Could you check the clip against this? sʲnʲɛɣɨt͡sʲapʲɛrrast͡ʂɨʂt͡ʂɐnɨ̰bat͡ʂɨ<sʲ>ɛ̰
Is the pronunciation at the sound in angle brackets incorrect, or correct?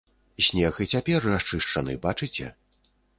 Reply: incorrect